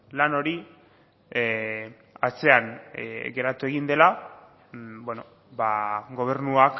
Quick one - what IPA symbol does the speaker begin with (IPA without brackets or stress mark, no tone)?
l